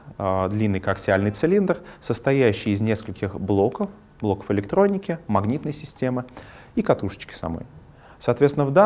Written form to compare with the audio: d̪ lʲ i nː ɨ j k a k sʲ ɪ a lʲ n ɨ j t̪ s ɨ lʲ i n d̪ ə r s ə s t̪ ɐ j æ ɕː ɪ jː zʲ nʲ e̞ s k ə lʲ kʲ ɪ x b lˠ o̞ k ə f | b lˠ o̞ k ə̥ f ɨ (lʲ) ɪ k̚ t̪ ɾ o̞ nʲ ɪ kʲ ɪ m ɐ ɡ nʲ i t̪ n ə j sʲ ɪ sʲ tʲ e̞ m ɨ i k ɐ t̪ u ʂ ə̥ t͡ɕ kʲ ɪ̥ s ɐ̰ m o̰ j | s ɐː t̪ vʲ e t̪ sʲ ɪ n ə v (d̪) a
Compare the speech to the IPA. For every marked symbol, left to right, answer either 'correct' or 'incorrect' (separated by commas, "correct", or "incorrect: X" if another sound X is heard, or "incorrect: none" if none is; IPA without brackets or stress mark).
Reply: correct, correct